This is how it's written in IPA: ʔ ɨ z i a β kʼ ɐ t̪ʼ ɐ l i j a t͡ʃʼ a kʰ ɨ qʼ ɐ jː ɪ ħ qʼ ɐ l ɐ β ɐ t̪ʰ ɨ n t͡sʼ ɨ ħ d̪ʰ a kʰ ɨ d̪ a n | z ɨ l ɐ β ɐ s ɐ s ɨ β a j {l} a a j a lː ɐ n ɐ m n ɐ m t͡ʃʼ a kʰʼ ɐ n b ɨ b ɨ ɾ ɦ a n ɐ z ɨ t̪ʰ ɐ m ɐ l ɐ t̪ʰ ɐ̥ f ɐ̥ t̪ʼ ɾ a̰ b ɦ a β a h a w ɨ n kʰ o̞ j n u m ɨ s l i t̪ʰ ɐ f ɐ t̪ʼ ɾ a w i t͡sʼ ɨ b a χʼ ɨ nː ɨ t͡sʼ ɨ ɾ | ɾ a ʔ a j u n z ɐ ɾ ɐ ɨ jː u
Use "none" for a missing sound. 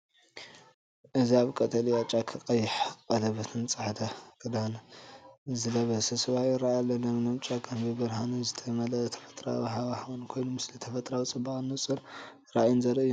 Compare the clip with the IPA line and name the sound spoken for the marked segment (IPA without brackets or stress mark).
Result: ɾ